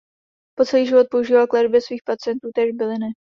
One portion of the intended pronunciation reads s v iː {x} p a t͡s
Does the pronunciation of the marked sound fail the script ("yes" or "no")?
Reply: no